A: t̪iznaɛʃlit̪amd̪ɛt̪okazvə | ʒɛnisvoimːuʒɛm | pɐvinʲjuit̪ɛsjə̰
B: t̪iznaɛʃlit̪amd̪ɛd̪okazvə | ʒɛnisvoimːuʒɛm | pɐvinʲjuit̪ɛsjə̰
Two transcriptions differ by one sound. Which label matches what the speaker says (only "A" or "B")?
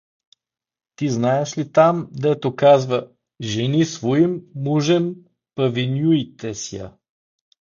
A